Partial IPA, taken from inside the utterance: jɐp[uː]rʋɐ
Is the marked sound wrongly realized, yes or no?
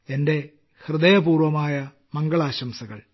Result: no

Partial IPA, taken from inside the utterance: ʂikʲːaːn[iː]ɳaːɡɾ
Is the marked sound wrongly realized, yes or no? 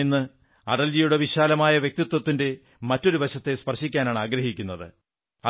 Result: yes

